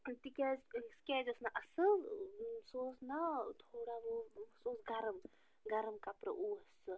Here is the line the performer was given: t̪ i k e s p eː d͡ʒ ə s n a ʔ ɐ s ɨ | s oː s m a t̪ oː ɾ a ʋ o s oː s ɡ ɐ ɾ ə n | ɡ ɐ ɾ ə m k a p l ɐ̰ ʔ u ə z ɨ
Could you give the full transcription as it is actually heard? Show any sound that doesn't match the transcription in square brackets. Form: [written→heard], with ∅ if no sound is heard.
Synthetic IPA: t̪ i k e s [p→k] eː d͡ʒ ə s n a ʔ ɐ s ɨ | s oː s [m→n] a [t̪→t̪ʰ] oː [ɾ→ɽ] a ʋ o s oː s ɡ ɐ ɾ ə [n→m] | ɡ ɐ ɾ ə m k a p [l→ɾ] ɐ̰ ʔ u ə [z→s] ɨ